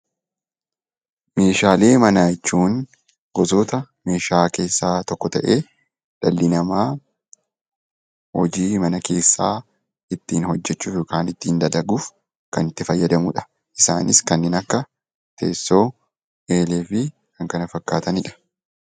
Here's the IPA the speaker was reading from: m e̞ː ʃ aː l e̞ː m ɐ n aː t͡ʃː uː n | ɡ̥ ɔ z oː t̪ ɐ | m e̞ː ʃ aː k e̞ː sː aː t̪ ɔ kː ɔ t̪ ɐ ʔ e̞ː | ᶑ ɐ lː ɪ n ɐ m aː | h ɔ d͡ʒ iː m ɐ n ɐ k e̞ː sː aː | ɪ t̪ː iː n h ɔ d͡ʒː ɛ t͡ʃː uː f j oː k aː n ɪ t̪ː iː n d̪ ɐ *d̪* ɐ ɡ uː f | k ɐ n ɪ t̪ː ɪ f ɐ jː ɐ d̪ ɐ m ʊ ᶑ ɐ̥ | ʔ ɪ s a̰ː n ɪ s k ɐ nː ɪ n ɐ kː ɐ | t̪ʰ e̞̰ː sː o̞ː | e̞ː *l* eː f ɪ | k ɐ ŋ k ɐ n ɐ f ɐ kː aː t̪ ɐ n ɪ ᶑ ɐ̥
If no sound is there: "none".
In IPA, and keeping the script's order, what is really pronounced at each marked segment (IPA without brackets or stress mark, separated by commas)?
d̪, l